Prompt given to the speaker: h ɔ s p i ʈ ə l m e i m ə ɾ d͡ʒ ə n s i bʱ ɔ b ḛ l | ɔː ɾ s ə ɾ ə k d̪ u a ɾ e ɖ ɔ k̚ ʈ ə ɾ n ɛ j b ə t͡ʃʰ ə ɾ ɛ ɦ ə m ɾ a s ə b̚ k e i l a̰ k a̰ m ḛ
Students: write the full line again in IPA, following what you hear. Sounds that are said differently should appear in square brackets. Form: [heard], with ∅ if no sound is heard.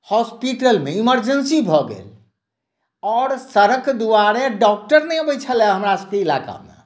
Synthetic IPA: h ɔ s p i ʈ ə l m e i m ə ɾ d͡ʒ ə n s i bʱ ɔ [ɡ] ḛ l | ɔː ɾ s ə ɾ ə k d̪ u a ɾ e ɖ ɔ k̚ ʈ ə ɾ n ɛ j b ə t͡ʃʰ ə [l] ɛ ɦ ə m ɾ a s ə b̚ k e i l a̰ k a̰ m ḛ